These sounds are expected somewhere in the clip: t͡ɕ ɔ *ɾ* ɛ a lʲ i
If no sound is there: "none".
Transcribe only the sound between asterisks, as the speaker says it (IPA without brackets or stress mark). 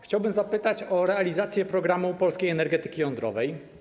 ɾ